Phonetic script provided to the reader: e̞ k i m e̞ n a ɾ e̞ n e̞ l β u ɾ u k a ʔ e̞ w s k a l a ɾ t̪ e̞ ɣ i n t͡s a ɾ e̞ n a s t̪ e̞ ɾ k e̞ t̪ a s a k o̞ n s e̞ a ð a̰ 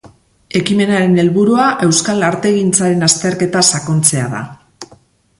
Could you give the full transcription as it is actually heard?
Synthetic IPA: e̞ k i m e̞ n a ɾ e̞ n e̞ l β u ɾ u a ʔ e̞ w s k a l a ɾ t̪ e̞ ɣ i n t͡s a ɾ e̞ n a s t̪ e̞ ɾ k e̞ t̪ a s a k o̞ n t͡s e̞ a ð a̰